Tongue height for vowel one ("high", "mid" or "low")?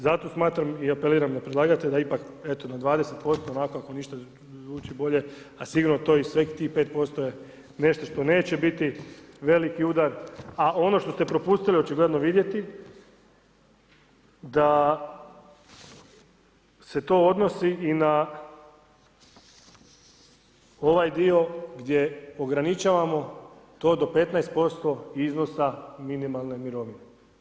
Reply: low